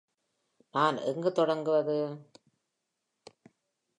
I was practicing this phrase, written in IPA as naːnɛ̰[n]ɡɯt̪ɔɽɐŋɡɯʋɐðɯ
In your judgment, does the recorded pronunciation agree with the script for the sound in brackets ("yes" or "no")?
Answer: no